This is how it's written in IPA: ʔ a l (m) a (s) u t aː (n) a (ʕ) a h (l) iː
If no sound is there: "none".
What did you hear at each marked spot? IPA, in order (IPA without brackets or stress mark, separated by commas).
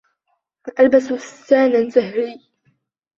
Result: b, s, n, z, ɾ